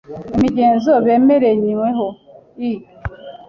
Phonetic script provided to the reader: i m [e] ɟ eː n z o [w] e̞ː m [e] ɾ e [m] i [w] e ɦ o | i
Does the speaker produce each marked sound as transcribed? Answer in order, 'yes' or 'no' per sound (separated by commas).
no, no, yes, no, yes